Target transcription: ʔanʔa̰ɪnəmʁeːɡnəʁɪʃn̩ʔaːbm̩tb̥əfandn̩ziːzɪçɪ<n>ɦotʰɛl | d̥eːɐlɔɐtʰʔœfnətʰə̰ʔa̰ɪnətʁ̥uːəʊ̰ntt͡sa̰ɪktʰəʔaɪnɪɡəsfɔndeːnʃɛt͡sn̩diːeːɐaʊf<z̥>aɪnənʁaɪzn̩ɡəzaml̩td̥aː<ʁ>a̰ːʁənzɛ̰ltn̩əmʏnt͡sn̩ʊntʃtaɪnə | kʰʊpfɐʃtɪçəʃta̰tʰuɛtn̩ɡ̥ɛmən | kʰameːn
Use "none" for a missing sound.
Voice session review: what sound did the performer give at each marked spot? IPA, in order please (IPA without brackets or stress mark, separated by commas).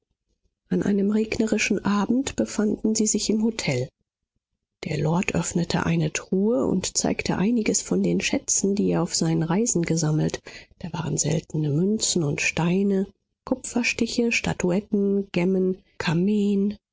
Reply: m, z̥, v